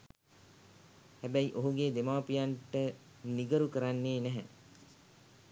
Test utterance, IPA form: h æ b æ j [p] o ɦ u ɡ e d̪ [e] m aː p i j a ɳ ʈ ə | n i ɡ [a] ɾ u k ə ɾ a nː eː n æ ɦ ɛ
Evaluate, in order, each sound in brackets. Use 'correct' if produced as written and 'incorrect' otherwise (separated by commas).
incorrect, correct, incorrect